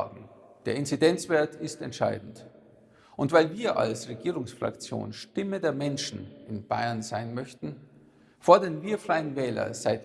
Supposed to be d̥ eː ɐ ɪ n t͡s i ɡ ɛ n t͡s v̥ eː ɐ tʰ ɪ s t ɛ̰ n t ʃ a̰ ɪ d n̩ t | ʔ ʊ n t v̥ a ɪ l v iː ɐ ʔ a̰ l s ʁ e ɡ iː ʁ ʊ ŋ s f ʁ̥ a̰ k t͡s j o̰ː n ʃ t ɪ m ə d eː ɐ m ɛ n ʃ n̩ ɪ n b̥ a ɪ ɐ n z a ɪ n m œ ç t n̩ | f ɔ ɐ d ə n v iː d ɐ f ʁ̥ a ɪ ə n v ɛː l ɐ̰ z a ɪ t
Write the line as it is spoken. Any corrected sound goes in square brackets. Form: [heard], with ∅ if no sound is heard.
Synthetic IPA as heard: d̥ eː ɐ ɪ n t͡s i [d] ɛ n t͡s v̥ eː ɐ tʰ ɪ s t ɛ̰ n t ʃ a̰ ɪ d n̩ t | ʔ ʊ n t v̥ a ɪ l v iː ɐ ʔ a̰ l s ʁ e ɡ iː ʁ ʊ ŋ s f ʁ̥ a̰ k t͡s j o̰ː n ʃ t ɪ m ə d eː ɐ m ɛ n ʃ n̩ ɪ n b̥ a ɪ ɐ n z a ɪ n m œ ç t n̩ | f ɔ ɐ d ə n v iː [∅] ɐ f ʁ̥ a ɪ ə n v ɛː l ɐ̰ z a ɪ t